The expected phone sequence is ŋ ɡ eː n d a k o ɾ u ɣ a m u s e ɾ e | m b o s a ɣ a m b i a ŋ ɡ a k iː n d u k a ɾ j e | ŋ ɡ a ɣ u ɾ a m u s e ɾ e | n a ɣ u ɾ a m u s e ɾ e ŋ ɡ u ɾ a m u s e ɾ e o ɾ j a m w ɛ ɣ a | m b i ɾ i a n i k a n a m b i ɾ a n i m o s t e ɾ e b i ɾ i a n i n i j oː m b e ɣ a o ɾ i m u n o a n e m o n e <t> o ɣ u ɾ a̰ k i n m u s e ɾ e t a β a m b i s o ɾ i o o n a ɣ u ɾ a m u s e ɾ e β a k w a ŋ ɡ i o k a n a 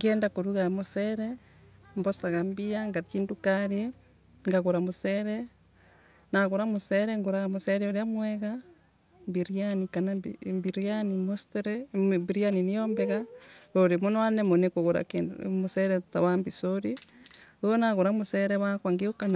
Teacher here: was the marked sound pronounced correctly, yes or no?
no